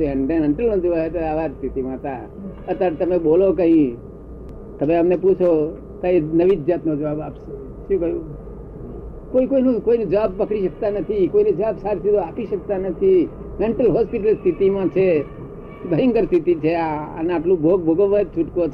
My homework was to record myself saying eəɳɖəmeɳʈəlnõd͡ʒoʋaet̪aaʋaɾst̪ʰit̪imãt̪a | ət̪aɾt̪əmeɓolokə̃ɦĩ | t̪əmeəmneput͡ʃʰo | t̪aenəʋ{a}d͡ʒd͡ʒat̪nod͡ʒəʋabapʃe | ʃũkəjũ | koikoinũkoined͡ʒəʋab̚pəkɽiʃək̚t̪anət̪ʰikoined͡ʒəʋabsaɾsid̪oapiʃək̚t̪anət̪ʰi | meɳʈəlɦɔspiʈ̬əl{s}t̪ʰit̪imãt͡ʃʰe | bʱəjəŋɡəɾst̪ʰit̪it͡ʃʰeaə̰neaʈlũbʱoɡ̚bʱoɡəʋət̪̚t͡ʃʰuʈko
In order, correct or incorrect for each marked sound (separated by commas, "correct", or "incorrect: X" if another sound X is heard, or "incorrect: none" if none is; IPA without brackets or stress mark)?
incorrect: i, correct